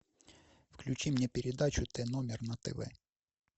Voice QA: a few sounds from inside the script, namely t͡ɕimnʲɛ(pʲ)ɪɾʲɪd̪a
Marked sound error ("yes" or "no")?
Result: no